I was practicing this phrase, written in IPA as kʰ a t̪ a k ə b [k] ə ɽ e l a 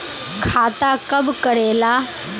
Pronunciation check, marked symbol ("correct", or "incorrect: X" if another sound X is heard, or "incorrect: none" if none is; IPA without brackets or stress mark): correct